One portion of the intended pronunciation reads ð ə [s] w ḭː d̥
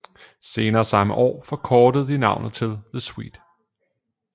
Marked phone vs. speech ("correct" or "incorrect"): correct